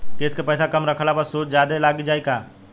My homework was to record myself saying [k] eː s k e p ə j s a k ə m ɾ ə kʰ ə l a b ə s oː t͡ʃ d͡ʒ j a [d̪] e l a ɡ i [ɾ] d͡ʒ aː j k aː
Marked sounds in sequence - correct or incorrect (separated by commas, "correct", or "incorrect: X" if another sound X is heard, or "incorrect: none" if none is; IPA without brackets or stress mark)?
correct, correct, incorrect: none